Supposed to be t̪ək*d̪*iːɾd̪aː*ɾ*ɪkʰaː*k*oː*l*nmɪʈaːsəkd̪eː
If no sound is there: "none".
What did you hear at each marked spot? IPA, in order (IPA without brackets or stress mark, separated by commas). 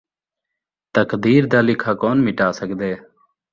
d̪, l, k, none